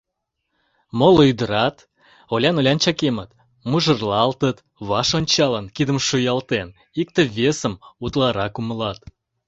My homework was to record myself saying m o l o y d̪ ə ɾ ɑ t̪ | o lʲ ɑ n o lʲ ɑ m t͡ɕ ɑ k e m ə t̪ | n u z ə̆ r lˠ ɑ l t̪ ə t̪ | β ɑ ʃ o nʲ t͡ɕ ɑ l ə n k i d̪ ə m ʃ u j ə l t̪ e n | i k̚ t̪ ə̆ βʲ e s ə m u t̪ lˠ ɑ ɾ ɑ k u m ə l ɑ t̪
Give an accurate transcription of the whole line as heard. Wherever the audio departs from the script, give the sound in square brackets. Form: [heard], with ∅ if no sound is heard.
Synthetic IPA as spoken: m o l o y d̪ ə ɾ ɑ t̪ | o lʲ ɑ n o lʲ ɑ [n] t͡ɕ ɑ k e m ə t̪ | [m] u [ʒ] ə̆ r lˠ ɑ l t̪ ə t̪ | β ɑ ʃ o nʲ t͡ɕ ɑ l ə n k i d̪ ə m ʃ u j [ɑ] l t̪ e n | i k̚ t̪ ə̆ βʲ e s ə m u t̪ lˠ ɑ ɾ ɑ k u m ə l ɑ t̪